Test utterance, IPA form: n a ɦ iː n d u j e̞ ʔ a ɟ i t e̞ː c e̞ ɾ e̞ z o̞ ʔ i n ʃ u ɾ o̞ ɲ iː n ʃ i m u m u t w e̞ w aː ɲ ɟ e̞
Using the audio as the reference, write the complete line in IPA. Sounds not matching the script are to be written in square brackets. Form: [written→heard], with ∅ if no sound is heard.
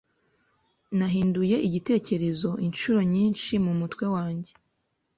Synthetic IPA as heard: n a ɦ iː n d u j e̞ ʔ [a→i] ɟ i t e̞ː c e̞ ɾ e̞ z o̞ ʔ i n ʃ u ɾ o̞ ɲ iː n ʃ i m u m u t w e̞ w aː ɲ ɟ e̞